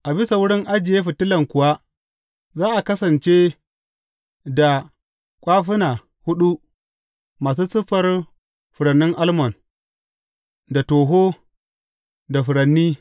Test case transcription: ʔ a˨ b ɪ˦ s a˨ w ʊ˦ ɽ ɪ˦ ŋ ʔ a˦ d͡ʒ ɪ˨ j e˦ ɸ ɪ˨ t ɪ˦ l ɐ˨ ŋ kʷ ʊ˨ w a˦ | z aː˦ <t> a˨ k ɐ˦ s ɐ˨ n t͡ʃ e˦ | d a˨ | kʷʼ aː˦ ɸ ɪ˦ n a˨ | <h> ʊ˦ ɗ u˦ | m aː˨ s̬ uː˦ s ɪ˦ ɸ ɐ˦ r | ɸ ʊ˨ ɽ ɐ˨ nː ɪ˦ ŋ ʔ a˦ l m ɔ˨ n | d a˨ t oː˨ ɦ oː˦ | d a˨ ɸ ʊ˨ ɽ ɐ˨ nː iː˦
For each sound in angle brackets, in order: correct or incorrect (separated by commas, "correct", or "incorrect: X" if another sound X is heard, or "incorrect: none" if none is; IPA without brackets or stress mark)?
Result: incorrect: ʔ, correct